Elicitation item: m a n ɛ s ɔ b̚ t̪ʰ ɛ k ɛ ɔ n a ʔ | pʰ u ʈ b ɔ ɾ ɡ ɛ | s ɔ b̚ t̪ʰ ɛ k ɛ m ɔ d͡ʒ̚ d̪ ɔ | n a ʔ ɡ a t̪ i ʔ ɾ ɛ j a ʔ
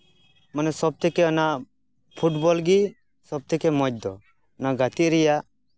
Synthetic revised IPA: m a n ɛ s ɔ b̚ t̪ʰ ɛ k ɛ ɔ n a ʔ | pʰ u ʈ b ɔ l ɡ i | s ɔ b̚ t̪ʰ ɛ k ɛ m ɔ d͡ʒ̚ d̪ ɔ | n a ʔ ɡ a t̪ i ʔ ɾ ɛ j a ʔ